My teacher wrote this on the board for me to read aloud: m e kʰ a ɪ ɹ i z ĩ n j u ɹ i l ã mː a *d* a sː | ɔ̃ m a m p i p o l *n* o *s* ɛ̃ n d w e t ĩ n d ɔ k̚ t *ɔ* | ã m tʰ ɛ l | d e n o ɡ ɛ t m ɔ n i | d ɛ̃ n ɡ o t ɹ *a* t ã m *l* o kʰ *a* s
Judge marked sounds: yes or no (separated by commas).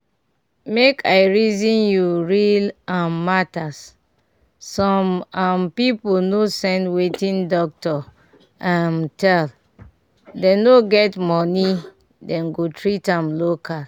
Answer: no, yes, yes, yes, no, yes, yes